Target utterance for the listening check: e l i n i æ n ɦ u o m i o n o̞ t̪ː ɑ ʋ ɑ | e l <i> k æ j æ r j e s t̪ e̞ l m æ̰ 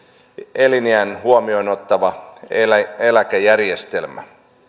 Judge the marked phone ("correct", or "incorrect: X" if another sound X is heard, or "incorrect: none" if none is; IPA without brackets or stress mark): incorrect: æ